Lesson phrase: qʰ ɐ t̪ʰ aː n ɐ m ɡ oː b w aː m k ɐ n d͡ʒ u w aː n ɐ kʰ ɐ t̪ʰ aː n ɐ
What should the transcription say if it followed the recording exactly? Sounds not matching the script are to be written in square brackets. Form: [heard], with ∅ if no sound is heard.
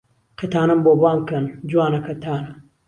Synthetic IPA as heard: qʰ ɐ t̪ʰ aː n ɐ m [b] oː b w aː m k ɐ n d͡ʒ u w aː n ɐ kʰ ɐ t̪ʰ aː n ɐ